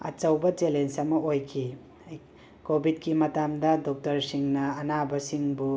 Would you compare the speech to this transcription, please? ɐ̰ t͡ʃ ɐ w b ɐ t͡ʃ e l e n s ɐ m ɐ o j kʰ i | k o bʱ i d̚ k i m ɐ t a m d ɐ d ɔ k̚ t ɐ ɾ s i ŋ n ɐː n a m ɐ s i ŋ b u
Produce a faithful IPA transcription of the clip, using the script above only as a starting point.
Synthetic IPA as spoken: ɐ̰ t͡ʃ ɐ w b ɐ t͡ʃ e l e n s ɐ m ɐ o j kʰ i | k o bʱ i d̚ k i m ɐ t a m d ɐ d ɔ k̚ t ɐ ɾ s i ŋ n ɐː n a b ɐ s i ŋ b u